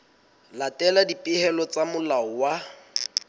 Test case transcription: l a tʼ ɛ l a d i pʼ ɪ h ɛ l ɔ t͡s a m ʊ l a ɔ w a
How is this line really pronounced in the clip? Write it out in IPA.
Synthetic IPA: l a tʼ ɛ l a d i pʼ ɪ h ɛ l ɔ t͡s a m ʊ l a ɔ w a